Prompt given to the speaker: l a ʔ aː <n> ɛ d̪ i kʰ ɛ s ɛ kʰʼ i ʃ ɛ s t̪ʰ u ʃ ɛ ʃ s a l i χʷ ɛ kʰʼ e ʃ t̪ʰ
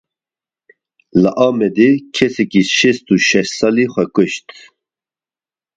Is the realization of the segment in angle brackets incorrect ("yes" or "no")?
yes